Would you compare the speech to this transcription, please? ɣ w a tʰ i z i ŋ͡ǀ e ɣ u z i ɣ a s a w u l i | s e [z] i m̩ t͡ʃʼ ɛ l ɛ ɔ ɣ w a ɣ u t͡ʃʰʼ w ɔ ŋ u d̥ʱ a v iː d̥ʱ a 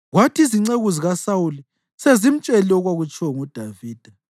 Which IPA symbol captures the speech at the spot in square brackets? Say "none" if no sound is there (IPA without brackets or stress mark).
z